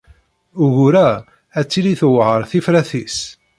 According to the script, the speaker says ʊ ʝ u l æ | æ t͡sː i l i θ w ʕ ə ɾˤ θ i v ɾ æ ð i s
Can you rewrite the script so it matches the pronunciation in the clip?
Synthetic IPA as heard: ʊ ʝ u ɾ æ | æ t͡sː i l i θ w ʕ ə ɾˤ θ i f ɾ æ θ i s